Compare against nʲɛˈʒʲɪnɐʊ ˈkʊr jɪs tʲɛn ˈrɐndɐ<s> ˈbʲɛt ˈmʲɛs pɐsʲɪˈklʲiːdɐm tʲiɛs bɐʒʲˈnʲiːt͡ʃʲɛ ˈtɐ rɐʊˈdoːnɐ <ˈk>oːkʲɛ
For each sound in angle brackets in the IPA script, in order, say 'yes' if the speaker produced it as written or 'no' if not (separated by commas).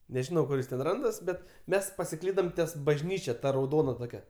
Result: yes, no